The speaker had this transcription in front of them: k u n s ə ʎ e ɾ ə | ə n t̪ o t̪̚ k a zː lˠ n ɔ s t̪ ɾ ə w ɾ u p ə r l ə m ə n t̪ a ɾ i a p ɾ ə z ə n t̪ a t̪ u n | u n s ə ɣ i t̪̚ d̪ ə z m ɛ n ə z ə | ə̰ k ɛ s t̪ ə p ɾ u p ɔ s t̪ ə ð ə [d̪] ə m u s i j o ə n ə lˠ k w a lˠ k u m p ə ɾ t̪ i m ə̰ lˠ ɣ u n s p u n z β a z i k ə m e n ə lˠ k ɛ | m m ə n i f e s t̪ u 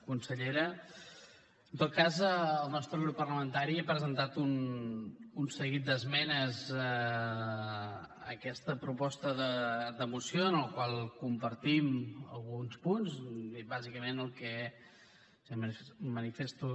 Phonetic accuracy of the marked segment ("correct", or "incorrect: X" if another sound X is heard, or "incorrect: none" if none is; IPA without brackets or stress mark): correct